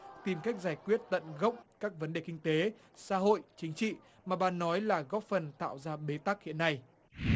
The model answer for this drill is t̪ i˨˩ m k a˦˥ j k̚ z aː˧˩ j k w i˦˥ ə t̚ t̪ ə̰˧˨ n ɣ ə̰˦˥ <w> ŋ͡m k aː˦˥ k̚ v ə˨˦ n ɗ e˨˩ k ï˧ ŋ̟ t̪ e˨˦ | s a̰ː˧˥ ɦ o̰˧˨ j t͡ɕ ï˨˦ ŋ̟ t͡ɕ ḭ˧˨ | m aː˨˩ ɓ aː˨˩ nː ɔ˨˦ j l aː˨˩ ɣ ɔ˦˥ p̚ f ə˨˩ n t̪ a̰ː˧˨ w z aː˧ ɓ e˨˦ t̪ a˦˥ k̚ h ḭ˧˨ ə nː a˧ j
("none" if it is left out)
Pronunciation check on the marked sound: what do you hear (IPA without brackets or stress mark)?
w